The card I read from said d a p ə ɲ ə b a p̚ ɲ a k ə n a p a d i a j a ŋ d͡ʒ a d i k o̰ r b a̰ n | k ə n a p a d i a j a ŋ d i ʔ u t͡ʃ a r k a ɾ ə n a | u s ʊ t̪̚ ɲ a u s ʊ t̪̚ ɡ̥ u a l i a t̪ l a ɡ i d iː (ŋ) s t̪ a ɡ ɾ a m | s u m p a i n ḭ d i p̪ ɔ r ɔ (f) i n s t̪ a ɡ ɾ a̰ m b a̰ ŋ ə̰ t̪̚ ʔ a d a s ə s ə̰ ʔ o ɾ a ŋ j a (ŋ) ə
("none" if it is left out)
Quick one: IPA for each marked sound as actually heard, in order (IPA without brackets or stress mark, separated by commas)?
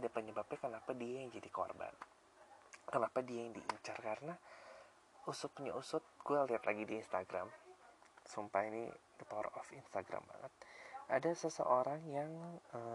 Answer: n, f, ŋ